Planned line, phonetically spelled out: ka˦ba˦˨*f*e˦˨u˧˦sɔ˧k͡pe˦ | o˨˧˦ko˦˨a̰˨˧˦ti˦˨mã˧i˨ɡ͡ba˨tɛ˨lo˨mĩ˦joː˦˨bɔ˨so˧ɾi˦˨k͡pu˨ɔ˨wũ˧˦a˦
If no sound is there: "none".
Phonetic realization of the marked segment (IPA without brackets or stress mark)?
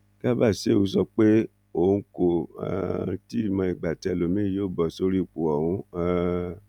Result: s